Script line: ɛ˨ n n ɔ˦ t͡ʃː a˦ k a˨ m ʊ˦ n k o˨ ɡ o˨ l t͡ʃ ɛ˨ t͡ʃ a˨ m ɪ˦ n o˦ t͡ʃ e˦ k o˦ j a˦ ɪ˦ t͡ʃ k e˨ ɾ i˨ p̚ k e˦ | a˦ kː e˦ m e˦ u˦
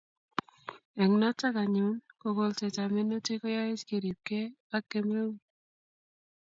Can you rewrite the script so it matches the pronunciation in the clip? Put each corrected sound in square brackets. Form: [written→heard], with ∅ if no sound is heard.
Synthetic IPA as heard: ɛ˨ [n→ŋ] n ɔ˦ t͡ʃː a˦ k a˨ [m→ɲ] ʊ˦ n k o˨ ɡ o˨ l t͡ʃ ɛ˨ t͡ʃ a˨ m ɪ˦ n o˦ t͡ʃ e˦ k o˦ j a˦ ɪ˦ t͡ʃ k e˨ ɾ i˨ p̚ k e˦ | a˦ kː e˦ m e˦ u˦